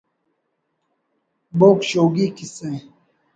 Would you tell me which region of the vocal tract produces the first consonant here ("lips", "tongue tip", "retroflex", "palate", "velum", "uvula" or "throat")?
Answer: lips